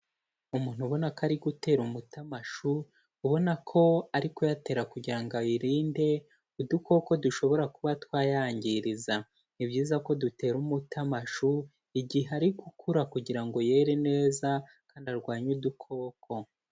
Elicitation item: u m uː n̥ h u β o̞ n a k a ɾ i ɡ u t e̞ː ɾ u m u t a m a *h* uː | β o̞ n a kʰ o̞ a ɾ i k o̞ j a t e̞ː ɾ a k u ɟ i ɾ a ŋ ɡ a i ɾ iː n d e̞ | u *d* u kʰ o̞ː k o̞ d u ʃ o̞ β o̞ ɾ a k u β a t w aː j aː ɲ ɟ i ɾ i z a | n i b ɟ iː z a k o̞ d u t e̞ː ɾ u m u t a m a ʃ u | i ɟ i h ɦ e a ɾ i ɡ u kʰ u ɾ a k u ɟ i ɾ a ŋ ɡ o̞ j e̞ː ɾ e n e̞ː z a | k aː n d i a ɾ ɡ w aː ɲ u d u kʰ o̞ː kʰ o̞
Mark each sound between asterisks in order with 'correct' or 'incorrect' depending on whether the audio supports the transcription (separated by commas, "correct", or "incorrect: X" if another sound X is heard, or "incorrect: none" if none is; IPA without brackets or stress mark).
incorrect: ʃ, correct